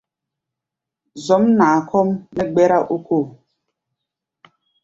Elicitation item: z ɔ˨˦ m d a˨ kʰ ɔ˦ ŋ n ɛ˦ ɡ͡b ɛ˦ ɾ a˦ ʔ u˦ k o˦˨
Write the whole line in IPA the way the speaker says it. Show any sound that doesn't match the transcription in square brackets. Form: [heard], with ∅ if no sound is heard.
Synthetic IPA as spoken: z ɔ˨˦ m [n] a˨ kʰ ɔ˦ [m] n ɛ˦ ɡ͡b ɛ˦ ɾ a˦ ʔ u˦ k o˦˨